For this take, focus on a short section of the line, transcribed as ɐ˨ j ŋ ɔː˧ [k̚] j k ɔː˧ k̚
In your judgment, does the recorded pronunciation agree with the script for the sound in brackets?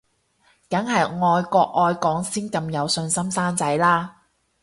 no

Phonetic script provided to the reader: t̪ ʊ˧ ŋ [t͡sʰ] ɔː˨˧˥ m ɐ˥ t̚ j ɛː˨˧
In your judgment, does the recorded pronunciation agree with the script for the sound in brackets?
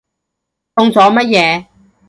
no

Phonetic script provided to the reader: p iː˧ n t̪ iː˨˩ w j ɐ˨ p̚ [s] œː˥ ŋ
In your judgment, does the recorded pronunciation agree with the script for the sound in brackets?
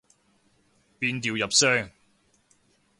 yes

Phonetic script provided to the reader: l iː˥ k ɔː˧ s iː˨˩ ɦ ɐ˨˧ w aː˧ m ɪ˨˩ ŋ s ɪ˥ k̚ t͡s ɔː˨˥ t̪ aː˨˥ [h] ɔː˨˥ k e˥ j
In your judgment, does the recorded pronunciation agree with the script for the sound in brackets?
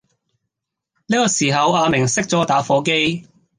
no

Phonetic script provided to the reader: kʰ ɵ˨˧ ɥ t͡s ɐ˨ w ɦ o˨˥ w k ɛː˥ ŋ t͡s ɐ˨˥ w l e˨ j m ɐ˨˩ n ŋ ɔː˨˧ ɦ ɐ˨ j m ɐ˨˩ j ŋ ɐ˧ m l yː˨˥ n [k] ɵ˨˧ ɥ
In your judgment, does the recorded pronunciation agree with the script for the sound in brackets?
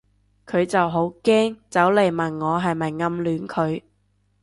no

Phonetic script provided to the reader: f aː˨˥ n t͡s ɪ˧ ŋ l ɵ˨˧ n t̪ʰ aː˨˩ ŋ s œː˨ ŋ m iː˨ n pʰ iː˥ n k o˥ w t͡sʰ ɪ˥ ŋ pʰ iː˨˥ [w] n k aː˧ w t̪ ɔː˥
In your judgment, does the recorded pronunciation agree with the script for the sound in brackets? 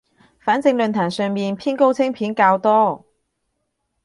no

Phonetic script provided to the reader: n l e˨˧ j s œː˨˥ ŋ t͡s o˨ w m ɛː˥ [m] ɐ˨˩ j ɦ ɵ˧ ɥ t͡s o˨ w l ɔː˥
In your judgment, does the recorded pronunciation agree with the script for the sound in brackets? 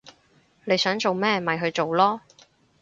yes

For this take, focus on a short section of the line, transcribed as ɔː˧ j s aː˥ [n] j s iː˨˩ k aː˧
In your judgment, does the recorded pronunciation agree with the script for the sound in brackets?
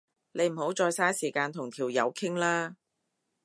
no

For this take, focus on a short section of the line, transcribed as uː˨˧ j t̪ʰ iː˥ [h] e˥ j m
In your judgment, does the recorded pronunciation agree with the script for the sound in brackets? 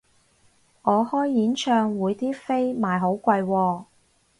no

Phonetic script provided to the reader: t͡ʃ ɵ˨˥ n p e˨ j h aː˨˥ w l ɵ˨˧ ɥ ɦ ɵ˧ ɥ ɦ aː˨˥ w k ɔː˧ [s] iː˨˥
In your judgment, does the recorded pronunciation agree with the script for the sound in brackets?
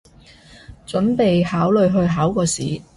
yes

